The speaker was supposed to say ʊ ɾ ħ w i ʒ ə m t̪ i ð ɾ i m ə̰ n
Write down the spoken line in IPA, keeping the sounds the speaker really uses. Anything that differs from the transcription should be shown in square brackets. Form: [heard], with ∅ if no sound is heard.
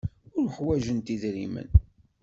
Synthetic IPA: ʊ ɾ ħ w [æ] ʒ ə [n] t̪ i ð ɾ i m ə̰ n